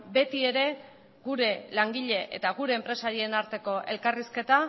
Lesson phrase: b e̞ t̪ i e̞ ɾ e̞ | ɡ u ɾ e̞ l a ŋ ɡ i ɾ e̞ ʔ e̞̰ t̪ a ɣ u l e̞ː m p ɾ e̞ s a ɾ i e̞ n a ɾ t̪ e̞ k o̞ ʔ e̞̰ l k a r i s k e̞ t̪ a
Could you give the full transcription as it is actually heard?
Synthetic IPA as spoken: b e̞ t̪ i e̞ ɾ e̞ | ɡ u ɾ e̞ l a ŋ ɡ i ʎ e̞ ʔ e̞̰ t̪ a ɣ u ɾ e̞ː m p ɾ e̞ s a ɾ i e̞ n a ɾ t̪ e̞ k o̞ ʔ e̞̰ l k a r i s k e̞ t̪ a